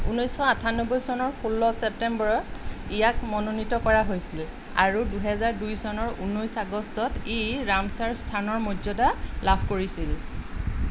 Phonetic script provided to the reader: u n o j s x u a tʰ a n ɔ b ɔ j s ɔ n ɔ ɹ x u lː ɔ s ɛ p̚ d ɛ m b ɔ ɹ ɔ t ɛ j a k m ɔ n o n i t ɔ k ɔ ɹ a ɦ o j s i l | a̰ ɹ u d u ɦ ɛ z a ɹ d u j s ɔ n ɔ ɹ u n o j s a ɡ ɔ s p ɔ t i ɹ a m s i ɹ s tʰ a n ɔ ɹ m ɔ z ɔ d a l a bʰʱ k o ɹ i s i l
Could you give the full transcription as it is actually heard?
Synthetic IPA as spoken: u n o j s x ɔ a tʰ a n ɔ b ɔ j s ɔ n ɔ ɹ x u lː ɔ s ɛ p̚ t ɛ m b ɔ ɹ ɔ t i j a k m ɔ n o n i t ɔ k ɔ ɹ a ɦ o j s i l | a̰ ɹ u d u ɦ ɛ z a ɹ d u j s ɔ n ɔ ɹ u n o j s a ɡ ɔ s t ɔ t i ɹ a m s a ɹ s tʰ a n ɔ ɹ m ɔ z ɔ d a l a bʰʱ k o ɹ i s i l

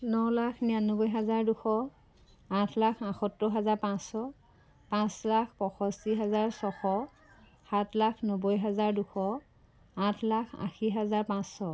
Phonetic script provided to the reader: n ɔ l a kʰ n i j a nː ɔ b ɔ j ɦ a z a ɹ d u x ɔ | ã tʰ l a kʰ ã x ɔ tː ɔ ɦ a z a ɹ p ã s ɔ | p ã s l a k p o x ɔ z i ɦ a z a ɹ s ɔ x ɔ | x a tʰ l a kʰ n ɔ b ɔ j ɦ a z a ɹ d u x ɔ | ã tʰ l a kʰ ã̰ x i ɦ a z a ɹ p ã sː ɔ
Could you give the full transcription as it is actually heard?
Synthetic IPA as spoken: n ɔ l a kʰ n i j a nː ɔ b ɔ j ɦ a z a ɹ d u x ɔ | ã tʰ l a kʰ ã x ɔ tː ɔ ɦ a z a ɹ p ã s ɔ | p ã s l a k p ɔ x ɔ s i ɦ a z a ɹ s ɔ x ɔ | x a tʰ l a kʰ n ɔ b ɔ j ɦ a z a ɹ d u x ɔ | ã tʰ l a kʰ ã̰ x i ɦ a z a ɹ p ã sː ɔ

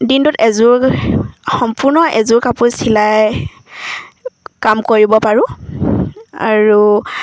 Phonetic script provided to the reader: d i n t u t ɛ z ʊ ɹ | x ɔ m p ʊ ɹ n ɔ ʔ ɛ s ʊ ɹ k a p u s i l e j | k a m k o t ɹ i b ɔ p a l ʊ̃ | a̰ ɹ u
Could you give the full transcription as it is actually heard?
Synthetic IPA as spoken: d i n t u t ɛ z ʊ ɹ | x ɔ m p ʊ ɹ n ɔ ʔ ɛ z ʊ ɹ k a p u s i l a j | k a m k o ɹ i b ɔ p a ɹ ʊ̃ | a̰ ɹ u

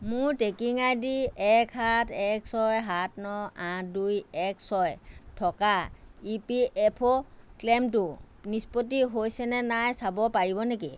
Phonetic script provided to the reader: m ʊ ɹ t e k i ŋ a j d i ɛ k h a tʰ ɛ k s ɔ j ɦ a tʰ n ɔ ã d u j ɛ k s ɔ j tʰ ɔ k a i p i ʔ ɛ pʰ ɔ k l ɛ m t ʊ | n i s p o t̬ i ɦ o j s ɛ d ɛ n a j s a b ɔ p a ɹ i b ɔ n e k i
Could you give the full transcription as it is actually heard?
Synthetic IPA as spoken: m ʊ ɹ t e k i ŋ a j d i ɛ k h a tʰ ɛ k s ɔ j ɦ a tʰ n ɔ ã d u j ɛ k s ɔ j tʰ ɔ k a i p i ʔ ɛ pʰ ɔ k l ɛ m t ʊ | n i s p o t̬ i ɦ o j s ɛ n ɛ n a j s a b ɔ p a ɹ i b ɔ n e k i

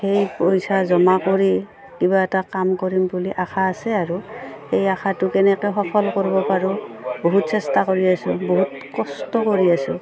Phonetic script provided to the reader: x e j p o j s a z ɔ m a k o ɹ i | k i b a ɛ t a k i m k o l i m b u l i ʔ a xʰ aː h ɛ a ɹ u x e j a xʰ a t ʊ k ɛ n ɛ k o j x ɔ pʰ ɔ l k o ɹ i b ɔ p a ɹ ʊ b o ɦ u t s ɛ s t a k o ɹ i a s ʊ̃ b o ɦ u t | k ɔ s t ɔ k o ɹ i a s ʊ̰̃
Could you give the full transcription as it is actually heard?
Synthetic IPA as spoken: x e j p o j s a z ɔ m a k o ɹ i | k i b a ɛ t a k a m k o ɹ i m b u l i ʔ a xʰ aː s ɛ a ɹ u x e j a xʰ a t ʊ k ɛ n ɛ k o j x ɔ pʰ ɔ l k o ɹ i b ɔ p a ɹ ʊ b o ɦ u t s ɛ s t a k o ɹ i a s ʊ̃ b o ɦ u t | k ɔ s t ɔ k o ɹ i a s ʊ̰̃

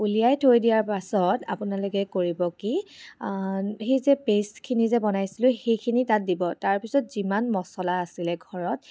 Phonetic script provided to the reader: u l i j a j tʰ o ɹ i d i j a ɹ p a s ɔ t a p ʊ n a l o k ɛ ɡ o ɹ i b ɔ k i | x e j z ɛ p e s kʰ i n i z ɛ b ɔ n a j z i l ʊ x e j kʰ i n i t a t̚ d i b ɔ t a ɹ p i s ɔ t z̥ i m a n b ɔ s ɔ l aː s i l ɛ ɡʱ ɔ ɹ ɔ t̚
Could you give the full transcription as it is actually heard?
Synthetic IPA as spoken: u l i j a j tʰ o ɹ i d i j a ɹ p a s ɔ t a p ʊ n a l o k ɛ k o ɹ i b ɔ k i | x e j z ɛ p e s kʰ i n i z ɛ b ɔ n a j s i l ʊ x e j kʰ i n i t a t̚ d i b ɔ t a ɹ p i s ɔ t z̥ i m a n m ɔ s ɔ l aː s i l ɛ ɡʱ ɔ ɹ ɔ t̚

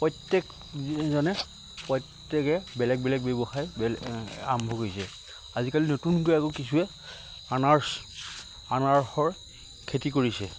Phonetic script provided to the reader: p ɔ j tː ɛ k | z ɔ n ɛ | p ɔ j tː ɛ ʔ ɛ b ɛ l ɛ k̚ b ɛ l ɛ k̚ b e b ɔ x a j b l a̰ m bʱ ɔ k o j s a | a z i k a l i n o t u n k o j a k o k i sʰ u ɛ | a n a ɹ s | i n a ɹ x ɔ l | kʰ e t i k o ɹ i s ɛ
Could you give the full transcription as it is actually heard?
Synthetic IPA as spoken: p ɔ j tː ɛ k | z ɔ n ɛ | p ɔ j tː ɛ k ɛ b ɛ l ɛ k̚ b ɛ l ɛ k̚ b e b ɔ x a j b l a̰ m bʱ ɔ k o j s ɛ | a z i k a l i n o t u n k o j a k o k i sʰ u ɛ | a n a ɹ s | a n a ɹ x ɔ ɹ | kʰ e t i k o ɹ i s ɛ

